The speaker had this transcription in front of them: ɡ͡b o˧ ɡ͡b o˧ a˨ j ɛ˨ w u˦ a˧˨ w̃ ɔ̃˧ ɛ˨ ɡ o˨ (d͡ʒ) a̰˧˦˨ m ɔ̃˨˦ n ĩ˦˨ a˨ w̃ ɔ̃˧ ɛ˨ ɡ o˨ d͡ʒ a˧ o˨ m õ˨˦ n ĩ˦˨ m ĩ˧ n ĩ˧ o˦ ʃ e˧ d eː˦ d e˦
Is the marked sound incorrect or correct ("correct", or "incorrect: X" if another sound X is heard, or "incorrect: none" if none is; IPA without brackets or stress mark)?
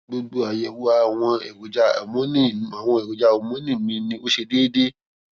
correct